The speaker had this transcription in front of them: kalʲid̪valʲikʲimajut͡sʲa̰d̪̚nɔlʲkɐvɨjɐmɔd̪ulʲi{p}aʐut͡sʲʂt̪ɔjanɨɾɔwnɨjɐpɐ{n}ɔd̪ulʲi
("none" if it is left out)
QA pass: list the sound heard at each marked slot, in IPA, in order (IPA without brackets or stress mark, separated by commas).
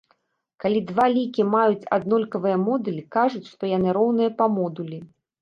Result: k, m